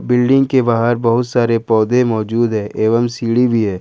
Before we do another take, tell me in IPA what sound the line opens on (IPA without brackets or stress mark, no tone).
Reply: b